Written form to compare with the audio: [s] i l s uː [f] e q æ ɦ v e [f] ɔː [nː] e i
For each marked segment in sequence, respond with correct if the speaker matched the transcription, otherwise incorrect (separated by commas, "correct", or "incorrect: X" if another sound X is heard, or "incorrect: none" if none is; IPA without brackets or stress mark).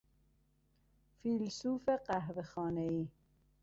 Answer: incorrect: f, correct, incorrect: x, incorrect: n